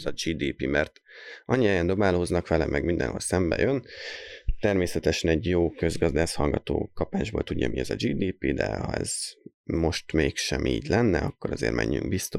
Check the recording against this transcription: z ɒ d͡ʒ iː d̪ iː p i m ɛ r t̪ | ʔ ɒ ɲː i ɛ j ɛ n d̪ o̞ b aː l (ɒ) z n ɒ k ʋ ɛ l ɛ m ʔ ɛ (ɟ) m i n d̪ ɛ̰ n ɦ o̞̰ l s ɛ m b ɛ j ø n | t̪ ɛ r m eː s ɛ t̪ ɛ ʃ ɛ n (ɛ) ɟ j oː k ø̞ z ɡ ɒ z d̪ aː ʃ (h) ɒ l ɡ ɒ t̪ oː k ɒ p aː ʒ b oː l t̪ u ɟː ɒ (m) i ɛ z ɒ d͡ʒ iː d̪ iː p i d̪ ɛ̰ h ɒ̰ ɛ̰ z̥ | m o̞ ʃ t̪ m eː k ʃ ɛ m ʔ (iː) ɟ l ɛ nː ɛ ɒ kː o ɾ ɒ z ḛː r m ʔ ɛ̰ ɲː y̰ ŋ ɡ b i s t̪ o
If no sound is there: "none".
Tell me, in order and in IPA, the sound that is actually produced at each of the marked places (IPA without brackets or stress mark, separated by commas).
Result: o, ɡ, ɛ, h, m, iː